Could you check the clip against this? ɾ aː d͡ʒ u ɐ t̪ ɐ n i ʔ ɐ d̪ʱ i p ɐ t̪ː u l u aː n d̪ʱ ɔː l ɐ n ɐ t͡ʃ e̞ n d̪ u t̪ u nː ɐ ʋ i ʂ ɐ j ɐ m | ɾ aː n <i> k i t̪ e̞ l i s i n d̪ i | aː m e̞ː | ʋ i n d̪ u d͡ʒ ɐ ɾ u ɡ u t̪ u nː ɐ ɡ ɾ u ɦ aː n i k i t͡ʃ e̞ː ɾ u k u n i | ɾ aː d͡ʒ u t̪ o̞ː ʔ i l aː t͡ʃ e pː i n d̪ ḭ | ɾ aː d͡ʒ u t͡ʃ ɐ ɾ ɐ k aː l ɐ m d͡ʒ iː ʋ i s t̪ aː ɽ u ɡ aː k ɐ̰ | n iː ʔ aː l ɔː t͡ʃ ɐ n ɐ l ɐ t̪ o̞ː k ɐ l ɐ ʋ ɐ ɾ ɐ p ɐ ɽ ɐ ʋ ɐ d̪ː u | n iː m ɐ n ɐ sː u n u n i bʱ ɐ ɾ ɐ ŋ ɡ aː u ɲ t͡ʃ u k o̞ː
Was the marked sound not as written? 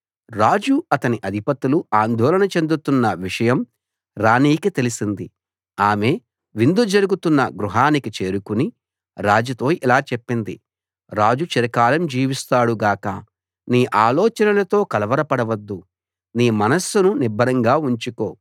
yes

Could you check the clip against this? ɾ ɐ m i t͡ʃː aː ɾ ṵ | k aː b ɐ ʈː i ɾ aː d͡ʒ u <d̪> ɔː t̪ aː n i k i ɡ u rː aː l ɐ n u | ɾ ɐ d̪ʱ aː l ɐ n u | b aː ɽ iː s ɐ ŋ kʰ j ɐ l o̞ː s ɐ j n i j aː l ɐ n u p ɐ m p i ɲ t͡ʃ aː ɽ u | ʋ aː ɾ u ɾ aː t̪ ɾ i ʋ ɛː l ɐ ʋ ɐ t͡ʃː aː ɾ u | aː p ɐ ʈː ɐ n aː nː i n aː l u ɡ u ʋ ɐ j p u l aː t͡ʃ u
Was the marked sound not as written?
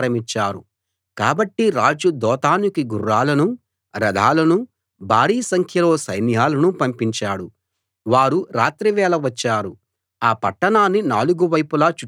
no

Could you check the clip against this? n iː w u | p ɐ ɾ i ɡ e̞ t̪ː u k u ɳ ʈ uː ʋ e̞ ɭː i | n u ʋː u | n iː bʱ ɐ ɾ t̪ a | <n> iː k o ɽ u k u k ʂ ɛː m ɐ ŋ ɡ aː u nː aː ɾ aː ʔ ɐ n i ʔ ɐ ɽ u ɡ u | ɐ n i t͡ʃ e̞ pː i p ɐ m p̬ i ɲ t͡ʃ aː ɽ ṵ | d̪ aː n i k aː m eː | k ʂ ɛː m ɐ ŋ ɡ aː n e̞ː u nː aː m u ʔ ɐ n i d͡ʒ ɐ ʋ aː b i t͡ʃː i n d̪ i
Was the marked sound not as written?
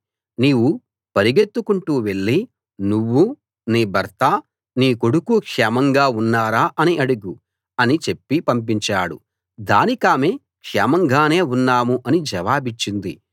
no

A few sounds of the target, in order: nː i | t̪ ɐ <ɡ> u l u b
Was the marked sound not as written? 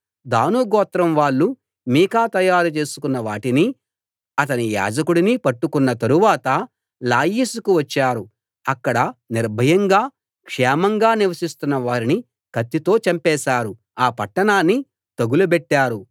no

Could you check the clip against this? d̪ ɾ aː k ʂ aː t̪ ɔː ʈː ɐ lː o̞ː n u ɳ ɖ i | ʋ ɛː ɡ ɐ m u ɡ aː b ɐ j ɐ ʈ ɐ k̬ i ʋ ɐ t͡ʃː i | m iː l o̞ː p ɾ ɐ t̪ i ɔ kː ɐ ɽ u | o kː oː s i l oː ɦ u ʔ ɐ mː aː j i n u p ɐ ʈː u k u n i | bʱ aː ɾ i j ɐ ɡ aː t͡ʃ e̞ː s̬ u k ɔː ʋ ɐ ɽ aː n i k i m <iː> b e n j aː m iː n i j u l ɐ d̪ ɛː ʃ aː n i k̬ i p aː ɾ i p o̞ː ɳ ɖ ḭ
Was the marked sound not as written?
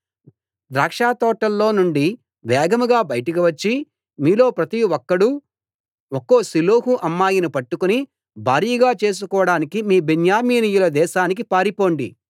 no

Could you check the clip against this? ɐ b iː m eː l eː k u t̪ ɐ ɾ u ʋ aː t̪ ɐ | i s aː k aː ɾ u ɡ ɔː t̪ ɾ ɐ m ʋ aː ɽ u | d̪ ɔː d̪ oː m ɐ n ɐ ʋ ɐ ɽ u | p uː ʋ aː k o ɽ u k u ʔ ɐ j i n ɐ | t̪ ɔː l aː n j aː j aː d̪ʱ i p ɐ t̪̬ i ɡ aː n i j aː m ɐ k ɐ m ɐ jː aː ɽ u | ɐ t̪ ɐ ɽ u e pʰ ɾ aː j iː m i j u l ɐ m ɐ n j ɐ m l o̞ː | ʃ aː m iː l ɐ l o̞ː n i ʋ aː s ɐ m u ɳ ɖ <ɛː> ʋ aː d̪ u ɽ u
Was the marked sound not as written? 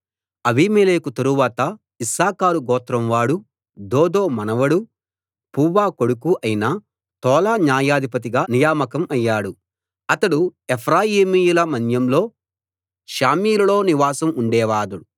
no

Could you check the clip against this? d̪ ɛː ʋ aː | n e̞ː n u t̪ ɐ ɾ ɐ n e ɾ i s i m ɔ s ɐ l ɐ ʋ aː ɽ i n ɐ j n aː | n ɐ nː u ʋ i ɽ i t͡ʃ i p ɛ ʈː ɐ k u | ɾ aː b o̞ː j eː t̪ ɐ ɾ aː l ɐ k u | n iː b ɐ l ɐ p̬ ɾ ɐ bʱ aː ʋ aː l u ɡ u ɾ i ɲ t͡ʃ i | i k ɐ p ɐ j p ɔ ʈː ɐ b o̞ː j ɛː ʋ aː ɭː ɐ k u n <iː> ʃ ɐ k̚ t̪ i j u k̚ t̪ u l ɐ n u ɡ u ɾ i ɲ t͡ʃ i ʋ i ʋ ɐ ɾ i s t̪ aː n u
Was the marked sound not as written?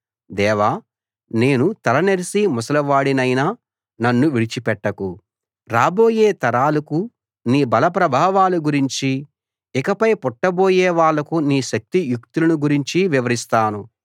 no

